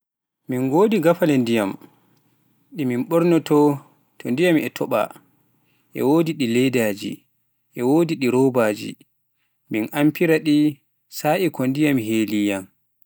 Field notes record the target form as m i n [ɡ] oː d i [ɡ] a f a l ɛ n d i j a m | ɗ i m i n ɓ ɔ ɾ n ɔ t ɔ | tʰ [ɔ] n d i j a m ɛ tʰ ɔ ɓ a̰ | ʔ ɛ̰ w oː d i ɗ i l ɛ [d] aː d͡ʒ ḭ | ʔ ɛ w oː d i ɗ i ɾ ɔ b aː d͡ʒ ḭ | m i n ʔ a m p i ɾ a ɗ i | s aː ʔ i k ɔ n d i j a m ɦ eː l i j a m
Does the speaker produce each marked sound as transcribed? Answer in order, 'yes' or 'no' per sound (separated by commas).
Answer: yes, yes, yes, yes